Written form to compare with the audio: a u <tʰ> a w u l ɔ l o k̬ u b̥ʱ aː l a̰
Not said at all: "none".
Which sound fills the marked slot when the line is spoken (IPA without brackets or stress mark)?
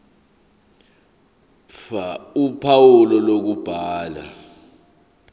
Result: pʰ